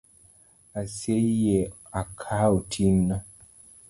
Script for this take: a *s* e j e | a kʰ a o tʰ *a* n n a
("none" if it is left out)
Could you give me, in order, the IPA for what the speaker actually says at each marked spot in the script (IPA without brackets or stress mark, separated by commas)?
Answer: s, i